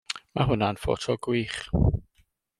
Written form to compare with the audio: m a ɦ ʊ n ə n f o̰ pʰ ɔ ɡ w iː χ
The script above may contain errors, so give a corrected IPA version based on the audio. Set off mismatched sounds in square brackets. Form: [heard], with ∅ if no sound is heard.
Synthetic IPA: m a ɦ ʊ n [a] n f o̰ [tʰ] ɔ ɡ w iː χ